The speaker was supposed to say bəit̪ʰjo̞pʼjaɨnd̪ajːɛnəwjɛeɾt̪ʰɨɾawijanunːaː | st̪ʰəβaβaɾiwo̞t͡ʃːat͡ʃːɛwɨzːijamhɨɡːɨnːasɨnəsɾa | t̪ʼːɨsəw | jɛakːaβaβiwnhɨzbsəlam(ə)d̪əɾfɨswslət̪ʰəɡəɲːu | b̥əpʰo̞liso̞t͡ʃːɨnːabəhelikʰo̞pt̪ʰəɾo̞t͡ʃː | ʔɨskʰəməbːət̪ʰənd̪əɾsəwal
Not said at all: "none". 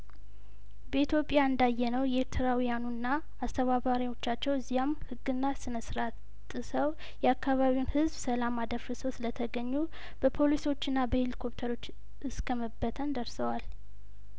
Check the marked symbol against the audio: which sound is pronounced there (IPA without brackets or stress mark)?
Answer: a